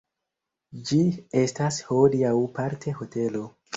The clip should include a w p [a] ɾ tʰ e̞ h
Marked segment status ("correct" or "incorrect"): correct